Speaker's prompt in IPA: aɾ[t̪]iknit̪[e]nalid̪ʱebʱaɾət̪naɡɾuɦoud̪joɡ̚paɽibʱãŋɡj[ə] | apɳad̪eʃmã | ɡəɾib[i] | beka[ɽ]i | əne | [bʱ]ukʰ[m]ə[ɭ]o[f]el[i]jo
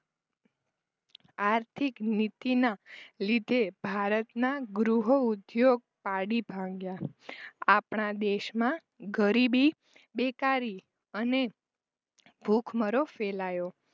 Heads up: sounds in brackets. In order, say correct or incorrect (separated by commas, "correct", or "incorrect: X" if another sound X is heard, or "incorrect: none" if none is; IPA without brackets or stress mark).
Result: incorrect: t̪ʰ, incorrect: i, incorrect: a, correct, incorrect: ɾ, correct, correct, incorrect: ɾ, correct, incorrect: a